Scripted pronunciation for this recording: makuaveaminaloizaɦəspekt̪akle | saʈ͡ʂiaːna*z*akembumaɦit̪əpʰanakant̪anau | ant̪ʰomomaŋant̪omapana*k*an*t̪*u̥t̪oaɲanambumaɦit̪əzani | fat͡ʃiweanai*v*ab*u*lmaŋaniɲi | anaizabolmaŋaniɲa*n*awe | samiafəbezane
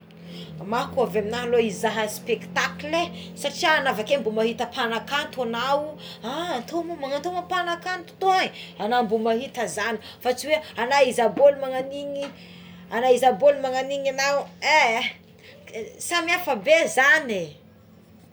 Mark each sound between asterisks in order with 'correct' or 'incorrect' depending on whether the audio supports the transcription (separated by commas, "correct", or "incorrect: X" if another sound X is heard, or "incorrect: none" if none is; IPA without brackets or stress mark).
incorrect: v, correct, correct, incorrect: z, incorrect: o, correct